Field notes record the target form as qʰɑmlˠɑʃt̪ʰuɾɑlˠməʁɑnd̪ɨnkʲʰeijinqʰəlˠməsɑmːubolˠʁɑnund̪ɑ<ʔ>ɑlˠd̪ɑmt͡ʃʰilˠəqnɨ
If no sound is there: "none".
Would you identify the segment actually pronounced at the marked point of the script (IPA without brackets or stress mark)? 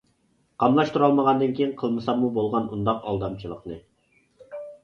q